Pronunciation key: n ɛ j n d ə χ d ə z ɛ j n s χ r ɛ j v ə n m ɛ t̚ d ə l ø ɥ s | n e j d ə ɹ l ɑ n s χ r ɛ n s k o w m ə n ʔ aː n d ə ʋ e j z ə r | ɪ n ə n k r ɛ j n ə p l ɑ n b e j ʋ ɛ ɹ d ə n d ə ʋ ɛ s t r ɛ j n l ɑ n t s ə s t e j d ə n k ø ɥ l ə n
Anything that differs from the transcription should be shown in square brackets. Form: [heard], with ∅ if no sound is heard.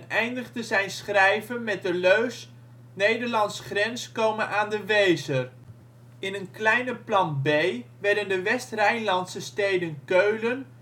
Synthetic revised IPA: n ɛ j n d ə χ d ə z ɛ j n s χ r ɛ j v ə n m ɛ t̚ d ə l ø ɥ s | n e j d ə ɹ l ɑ n s χ r ɛ n s k o w m ə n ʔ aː n d ə ʋ e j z ə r | ɪ n ə n k [l] ɛ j n ə p l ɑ n b e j ʋ ɛ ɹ d ə n d ə ʋ ɛ s t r ɛ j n l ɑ n t s ə s t e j d ə n k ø ɥ l ə n